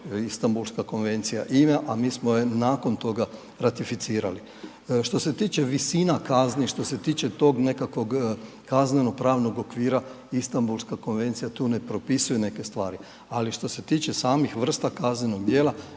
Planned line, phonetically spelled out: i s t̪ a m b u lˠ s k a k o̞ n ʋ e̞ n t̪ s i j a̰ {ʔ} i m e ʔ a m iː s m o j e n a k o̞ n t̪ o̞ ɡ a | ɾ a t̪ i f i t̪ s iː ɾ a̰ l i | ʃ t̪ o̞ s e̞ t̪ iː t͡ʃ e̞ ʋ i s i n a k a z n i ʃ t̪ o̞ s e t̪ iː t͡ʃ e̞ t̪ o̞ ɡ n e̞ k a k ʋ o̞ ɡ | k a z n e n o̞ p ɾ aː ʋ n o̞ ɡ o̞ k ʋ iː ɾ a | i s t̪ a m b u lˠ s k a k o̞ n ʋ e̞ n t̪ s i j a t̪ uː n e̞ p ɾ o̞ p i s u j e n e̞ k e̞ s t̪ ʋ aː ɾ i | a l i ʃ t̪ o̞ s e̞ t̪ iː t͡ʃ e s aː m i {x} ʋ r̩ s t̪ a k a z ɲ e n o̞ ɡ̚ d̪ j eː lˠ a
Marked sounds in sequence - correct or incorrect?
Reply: correct, correct

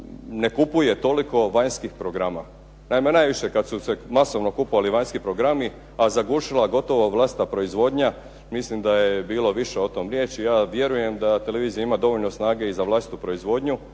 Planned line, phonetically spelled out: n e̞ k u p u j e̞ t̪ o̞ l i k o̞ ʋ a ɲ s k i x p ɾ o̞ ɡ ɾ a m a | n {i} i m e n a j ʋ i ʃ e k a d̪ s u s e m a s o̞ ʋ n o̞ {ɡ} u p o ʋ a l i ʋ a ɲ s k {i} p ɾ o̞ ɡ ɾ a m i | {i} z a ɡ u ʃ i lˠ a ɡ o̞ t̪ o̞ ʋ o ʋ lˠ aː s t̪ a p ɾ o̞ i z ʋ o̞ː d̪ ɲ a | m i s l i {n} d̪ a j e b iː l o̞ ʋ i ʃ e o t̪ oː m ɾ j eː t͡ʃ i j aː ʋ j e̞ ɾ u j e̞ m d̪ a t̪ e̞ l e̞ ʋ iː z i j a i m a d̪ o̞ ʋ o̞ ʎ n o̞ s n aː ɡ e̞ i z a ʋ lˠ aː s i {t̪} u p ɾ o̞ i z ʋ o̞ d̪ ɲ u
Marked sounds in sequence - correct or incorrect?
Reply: incorrect, incorrect, correct, incorrect, incorrect, correct

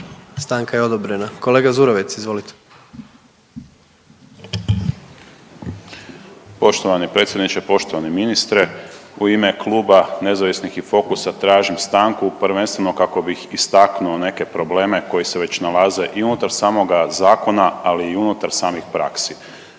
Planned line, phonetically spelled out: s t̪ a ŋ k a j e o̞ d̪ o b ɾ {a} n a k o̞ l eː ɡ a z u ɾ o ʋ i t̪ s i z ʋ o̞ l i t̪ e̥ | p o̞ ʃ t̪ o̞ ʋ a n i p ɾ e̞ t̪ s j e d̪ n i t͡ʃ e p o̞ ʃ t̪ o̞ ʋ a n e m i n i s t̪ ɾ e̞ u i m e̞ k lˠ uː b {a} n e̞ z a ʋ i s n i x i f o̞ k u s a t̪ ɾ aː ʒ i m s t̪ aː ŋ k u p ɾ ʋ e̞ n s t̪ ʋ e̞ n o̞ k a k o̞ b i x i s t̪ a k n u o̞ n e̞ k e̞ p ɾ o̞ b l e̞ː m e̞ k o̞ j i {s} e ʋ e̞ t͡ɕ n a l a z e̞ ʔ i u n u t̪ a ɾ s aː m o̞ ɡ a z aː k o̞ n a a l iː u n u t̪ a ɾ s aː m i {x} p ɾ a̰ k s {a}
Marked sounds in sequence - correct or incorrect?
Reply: incorrect, correct, correct, correct, incorrect

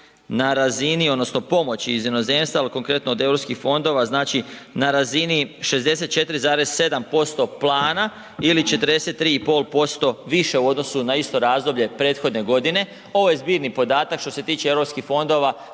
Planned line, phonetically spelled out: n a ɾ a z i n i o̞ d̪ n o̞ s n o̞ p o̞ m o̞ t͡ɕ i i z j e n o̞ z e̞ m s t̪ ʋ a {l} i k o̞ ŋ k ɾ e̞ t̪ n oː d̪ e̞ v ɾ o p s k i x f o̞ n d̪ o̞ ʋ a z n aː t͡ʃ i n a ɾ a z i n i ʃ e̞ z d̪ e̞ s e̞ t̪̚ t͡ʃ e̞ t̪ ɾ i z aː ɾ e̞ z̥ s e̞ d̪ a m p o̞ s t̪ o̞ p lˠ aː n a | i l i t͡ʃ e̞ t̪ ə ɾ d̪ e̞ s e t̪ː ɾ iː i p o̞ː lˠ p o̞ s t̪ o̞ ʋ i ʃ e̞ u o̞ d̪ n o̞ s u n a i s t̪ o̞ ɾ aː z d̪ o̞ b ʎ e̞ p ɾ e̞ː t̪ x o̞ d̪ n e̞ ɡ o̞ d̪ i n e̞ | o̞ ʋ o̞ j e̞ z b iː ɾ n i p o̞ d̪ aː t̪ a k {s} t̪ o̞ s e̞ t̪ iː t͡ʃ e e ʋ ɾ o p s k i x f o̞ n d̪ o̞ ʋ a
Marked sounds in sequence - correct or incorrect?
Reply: correct, incorrect

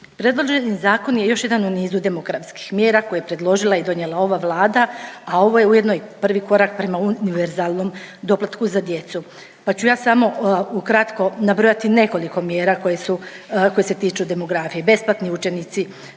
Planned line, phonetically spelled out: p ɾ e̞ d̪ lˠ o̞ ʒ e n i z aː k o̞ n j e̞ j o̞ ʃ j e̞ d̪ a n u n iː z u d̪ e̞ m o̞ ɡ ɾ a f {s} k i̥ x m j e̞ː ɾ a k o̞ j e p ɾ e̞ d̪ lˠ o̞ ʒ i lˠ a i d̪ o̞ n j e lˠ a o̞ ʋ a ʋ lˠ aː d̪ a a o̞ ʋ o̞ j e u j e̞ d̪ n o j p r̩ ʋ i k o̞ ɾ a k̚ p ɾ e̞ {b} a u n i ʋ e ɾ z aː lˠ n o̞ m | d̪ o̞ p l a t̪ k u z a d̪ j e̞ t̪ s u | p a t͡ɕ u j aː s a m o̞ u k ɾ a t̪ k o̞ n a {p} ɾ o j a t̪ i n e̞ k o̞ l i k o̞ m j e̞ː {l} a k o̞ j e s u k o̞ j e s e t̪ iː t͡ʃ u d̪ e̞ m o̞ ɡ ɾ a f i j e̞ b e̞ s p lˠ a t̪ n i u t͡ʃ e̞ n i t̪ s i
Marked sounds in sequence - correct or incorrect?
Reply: correct, incorrect, incorrect, incorrect

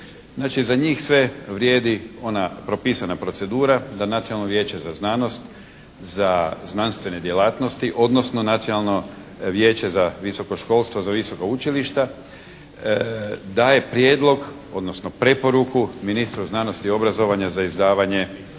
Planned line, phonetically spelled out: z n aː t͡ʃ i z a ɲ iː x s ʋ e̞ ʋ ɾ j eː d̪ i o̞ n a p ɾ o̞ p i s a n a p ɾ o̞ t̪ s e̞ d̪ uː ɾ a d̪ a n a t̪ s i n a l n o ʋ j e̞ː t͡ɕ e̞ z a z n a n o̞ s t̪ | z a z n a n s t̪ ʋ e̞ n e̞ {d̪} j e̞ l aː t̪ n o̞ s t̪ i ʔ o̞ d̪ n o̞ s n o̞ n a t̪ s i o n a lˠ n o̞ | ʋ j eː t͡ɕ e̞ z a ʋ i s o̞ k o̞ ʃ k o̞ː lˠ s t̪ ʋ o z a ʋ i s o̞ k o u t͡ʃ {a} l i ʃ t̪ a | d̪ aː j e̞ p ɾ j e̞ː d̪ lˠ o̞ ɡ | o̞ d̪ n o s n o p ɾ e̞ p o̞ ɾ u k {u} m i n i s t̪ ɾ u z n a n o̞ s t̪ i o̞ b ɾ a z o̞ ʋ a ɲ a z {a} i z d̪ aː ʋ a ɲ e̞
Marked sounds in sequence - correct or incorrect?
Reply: correct, incorrect, correct, correct

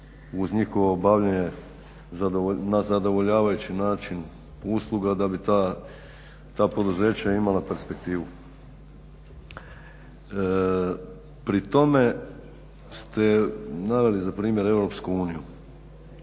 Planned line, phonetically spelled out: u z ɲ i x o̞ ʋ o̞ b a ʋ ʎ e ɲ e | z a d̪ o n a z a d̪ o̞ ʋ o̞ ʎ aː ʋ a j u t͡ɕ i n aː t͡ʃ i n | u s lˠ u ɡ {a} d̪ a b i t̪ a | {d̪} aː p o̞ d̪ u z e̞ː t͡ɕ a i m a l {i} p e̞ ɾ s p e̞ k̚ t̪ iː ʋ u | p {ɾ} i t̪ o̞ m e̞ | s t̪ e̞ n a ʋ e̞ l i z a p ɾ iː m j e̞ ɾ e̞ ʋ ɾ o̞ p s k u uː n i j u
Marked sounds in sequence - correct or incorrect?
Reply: correct, incorrect, incorrect, correct

